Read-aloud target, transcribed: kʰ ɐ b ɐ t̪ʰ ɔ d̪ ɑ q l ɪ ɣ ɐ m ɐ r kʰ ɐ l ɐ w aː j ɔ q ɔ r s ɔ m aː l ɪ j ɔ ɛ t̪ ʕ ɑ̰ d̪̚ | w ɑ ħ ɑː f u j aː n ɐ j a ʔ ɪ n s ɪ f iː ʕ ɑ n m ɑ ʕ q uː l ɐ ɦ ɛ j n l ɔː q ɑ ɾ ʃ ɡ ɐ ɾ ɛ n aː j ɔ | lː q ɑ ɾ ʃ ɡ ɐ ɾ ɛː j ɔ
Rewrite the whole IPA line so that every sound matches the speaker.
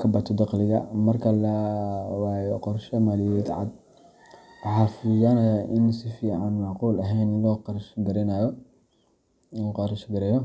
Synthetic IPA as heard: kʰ ɐ b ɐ t̪ʰ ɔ d̪ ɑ q l ɪ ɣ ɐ m ɐ r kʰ ɐ l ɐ w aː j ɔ q ɔ r ʃ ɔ m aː l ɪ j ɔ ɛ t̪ ʕ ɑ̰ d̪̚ | w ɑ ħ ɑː f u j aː n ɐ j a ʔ ɪ n s ɪ f iː ʕ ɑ n m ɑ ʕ q uː l ɐ ɦ ɛ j n l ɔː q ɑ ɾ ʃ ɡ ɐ ɾ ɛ n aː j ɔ | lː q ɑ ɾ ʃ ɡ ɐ ɾ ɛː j ɔ